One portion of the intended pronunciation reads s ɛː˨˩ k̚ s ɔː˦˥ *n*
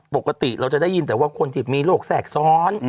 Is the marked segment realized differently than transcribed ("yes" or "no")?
no